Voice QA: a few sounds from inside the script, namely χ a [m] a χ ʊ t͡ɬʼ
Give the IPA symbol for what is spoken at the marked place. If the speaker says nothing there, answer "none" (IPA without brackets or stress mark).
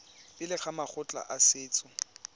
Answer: m